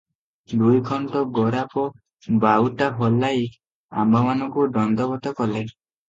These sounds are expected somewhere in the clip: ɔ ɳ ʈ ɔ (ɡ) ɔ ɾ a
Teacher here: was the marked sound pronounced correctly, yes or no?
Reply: yes